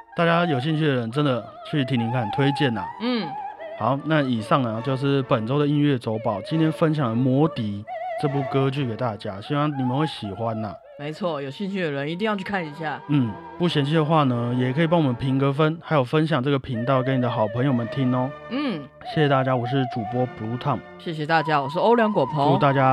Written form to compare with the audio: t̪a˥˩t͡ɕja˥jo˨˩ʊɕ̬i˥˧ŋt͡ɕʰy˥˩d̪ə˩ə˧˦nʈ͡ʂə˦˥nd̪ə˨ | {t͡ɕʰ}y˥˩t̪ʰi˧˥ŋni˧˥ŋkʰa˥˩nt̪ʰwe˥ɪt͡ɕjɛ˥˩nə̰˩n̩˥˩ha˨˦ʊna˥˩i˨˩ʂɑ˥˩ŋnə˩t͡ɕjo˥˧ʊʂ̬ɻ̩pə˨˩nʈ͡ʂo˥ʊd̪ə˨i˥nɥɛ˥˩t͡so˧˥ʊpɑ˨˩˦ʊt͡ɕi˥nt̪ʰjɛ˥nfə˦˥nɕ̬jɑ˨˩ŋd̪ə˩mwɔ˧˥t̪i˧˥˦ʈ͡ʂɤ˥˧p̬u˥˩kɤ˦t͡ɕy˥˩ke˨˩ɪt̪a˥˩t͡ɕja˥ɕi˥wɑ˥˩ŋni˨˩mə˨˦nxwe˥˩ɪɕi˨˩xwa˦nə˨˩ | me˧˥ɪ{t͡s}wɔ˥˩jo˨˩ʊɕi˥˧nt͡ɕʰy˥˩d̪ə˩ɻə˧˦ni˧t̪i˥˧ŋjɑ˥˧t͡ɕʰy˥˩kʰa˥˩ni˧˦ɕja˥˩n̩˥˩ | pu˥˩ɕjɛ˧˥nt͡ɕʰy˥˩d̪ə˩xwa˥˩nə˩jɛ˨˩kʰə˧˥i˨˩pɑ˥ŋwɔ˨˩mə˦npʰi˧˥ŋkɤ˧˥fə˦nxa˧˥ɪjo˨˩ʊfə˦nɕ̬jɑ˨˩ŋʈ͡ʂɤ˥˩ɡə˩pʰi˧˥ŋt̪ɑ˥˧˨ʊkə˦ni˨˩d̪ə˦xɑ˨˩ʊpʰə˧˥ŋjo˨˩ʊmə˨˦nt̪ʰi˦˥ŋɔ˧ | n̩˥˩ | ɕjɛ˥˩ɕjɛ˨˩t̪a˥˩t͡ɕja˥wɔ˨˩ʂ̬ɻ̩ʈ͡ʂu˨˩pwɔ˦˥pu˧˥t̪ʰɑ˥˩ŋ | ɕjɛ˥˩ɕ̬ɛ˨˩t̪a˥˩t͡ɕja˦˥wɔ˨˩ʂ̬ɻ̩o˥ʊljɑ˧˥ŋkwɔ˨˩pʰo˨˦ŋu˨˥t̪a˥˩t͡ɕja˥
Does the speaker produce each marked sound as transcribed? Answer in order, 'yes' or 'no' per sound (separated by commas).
yes, no